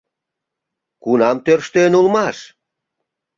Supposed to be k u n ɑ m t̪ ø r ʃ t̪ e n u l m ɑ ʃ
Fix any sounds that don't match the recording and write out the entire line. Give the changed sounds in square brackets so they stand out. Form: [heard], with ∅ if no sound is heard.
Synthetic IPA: k u n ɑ m t̪ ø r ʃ t̪ e n u l m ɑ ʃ